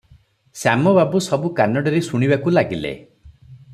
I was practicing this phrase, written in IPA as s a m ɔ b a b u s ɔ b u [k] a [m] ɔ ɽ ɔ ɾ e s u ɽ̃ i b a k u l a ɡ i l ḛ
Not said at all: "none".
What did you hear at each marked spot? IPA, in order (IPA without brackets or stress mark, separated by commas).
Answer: k, n